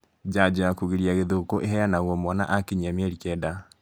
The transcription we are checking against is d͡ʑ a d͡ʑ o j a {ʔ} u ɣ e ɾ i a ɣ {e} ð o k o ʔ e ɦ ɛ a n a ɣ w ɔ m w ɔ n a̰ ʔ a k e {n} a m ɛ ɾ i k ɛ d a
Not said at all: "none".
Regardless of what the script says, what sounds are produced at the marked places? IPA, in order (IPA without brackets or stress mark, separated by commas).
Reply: k, e, ɲ